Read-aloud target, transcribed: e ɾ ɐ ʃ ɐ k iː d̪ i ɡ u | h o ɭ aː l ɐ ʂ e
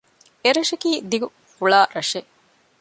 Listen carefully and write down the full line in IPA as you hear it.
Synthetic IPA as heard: e ɾ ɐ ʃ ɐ k iː d̪ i ɡ u | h u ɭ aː ɾ ɐ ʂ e